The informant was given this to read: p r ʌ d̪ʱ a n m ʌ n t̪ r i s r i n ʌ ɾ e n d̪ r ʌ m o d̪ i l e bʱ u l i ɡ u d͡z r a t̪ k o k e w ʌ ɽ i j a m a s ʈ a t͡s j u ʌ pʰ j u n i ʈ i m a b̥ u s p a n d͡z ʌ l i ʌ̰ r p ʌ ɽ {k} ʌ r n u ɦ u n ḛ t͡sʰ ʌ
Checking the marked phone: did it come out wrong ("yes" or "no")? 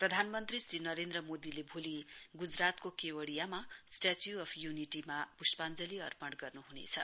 yes